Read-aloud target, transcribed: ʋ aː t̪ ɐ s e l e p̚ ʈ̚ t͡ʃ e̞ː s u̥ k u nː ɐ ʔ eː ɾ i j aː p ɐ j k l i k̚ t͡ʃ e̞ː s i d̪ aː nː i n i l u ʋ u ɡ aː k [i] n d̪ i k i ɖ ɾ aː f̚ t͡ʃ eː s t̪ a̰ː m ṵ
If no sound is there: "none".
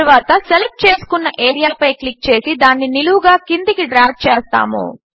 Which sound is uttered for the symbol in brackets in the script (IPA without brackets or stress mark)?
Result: i